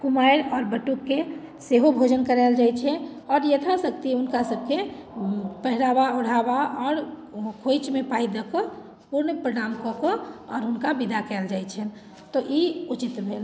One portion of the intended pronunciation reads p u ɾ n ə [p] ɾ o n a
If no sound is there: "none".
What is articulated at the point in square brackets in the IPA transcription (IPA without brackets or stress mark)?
p